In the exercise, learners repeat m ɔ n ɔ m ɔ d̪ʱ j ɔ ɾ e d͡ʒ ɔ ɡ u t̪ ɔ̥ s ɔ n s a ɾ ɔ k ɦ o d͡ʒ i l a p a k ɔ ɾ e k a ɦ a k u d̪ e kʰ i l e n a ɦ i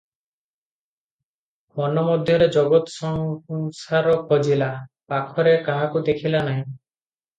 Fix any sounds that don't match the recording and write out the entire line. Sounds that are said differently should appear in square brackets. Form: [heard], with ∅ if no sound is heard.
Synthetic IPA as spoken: m ɔ n ɔ m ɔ d̪ʱ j ɔ ɾ e d͡ʒ ɔ ɡ [ɔ] t̪ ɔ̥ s ɔ [ŋ] s a ɾ ɔ k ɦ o d͡ʒ i l a p a [kʰ] ɔ ɾ e k a ɦ a k u d̪ e kʰ i l [a] n a ɦ [ĩ]